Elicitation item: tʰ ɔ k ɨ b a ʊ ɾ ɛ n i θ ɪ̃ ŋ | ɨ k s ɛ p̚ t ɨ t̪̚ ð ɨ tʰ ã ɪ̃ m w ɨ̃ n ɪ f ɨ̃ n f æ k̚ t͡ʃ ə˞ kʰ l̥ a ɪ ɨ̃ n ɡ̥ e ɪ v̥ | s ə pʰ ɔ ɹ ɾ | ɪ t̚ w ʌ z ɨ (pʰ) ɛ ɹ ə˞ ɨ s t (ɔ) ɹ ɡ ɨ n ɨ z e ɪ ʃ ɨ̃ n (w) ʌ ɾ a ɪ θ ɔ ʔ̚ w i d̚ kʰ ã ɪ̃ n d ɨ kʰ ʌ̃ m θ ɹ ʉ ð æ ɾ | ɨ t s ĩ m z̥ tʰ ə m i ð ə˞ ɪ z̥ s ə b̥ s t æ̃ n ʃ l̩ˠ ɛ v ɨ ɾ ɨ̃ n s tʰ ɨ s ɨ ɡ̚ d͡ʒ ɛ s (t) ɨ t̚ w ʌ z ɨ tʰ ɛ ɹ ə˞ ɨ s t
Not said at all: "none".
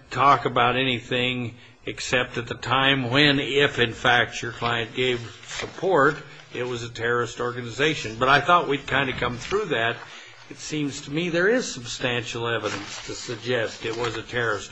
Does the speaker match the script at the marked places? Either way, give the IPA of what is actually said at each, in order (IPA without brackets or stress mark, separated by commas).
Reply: tʰ, ɔ, b, t